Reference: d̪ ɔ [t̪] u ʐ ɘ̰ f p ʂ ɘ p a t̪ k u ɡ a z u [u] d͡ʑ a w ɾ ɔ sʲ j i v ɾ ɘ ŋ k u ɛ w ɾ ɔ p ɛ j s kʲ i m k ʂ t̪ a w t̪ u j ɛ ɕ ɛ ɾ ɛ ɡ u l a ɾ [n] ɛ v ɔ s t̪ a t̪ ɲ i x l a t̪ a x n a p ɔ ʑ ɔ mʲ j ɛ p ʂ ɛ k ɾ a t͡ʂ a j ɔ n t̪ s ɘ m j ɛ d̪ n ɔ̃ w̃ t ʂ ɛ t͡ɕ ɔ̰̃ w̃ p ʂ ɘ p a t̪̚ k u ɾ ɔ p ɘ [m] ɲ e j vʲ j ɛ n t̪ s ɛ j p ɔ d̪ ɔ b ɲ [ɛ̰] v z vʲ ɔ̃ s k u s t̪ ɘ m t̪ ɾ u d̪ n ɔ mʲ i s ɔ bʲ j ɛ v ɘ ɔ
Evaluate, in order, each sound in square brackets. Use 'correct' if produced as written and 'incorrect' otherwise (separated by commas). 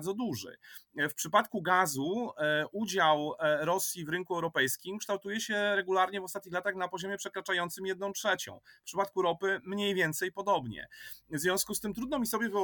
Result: incorrect, correct, incorrect, correct, correct